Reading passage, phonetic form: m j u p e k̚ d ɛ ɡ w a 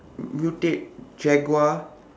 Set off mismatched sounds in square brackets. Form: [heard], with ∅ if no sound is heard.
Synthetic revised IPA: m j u [t] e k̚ [d͡ʒ] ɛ ɡ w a